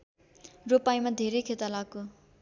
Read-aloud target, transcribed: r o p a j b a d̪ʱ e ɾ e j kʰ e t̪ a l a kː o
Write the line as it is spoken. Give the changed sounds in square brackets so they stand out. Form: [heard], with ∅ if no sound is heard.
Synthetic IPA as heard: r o p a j [m] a d̪ʱ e ɾ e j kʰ e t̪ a l a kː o

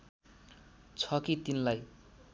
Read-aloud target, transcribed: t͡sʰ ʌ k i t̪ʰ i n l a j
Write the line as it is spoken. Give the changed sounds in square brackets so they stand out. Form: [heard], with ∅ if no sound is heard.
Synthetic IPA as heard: t͡sʰ ʌ k i [t̪] i n l a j

